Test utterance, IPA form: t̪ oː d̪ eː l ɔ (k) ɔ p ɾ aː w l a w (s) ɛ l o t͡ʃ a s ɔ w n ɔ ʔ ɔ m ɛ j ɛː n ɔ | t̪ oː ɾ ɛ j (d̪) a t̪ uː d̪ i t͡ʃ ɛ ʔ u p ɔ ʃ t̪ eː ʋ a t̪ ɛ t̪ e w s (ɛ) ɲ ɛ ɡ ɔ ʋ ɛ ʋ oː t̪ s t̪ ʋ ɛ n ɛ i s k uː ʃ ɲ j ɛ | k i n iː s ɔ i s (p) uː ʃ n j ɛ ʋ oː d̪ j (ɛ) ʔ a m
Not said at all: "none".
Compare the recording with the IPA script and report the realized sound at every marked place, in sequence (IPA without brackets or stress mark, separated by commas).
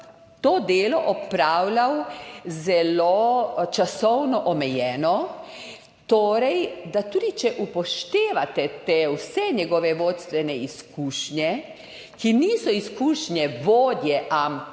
ʔ, z, d̪, ɛ, k, ɛ